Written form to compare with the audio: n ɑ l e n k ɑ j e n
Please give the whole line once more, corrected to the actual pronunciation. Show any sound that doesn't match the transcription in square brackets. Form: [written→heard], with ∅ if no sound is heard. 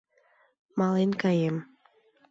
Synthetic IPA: [n→m] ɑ l e n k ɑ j e [n→m]